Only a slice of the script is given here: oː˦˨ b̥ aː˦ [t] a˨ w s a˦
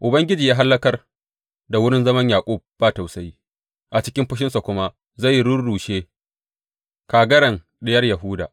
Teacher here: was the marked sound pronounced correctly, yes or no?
yes